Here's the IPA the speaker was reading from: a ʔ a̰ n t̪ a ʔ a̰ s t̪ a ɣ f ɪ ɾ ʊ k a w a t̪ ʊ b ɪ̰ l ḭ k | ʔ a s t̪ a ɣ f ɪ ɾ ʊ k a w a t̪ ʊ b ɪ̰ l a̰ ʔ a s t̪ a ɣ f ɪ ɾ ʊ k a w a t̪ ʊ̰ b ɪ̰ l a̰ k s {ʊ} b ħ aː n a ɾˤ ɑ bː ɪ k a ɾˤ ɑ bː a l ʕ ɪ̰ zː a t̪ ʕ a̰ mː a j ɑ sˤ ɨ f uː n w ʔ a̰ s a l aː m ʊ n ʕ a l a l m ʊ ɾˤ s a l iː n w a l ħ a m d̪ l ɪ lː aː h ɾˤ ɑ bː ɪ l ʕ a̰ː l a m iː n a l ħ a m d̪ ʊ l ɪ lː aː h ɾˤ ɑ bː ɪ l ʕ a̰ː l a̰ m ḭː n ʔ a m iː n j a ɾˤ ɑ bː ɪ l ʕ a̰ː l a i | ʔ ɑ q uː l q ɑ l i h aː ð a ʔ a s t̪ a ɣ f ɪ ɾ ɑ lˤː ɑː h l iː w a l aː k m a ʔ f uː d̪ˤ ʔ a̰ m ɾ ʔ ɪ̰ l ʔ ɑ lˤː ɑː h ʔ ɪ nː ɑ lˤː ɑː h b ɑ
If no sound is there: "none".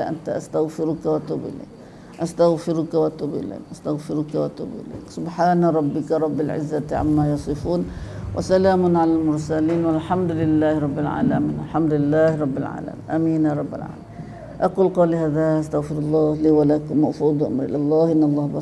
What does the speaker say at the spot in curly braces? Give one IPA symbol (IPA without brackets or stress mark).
ʊ